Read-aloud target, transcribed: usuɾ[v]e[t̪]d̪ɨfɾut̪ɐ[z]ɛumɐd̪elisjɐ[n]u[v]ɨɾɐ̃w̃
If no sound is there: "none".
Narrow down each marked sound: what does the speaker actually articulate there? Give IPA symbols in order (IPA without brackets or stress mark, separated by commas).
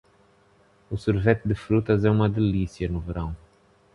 v, t̪, z, n, v